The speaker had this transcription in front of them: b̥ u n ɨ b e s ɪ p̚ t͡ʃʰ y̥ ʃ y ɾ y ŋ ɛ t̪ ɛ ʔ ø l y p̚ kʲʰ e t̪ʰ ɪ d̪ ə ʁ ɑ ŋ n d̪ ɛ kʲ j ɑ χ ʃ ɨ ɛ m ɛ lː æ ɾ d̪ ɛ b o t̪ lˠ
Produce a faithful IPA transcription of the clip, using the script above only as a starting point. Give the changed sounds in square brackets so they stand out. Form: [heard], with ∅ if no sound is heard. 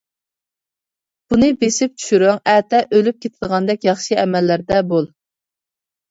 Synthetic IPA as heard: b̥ u n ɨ b e s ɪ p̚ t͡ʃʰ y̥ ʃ y ɾ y ŋ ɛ t̪ ɛ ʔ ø l y p̚ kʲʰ e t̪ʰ ɪ d̪ ə ʁ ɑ [∅] n d̪ ɛ kʲ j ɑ χ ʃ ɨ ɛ m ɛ lː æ ɾ d̪ ɛ b o [∅] lˠ